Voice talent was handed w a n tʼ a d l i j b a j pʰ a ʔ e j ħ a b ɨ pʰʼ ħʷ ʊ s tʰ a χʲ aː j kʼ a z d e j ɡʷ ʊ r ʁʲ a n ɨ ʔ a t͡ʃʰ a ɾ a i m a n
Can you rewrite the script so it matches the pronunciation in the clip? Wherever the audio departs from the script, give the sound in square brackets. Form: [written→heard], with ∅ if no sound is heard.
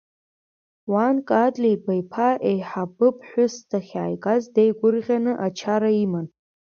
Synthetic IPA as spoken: w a n [tʼ→kʼ] a d l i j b a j pʰ a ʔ e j ħ a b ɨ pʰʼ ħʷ ʊ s tʰ a χʲ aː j kʼ a z d e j ɡʷ ʊ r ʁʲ a n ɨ ʔ a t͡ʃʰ a ɾ a i m a n

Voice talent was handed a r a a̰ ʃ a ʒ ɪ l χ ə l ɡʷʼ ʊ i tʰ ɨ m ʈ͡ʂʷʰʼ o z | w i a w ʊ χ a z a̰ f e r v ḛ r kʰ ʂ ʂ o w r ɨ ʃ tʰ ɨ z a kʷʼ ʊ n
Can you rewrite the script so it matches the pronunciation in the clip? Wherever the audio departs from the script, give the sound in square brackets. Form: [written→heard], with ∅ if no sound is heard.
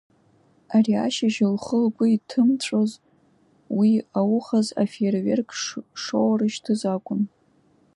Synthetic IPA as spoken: a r [a→i] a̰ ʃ a ʒ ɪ l χ ə l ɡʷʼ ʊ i tʰ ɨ m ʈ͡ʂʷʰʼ o z | w i a w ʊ χ a z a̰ f e r v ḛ r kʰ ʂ ʂ o w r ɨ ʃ tʰ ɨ z a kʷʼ ʊ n

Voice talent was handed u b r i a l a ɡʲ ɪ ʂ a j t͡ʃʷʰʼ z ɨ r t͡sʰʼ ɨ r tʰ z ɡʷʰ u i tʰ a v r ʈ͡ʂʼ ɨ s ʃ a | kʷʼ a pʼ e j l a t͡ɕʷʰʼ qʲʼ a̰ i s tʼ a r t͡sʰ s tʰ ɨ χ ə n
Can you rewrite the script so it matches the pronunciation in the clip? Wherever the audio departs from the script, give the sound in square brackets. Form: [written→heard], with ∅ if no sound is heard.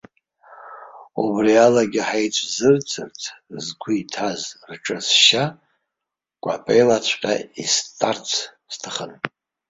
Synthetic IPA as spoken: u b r i a l a ɡʲ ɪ [ʂ→ħ] a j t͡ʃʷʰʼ z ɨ r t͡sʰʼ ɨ r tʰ z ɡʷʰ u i tʰ a [v→z] r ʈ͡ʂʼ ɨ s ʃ a | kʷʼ a pʼ e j l a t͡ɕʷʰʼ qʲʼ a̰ i s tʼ a r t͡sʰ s tʰ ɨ χ ə n

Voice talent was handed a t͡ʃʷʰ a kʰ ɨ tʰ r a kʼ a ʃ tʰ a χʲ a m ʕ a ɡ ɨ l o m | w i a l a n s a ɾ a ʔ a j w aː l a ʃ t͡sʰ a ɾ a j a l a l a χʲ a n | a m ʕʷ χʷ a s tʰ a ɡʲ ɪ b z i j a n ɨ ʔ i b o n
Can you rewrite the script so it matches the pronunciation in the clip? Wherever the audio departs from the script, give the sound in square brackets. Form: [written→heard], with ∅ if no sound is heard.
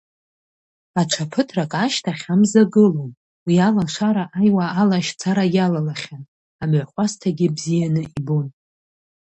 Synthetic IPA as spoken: a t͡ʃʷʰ a [kʰ→pʰ] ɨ tʰ r a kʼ a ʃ tʰ a χʲ a m [ʕ→z] a ɡ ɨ l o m | w i a l a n [s→ʂ] a ɾ a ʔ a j w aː l a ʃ t͡sʰ a ɾ a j a l a l a χʲ a n | a m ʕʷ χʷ a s tʰ a ɡʲ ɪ b z i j a n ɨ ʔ i b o n

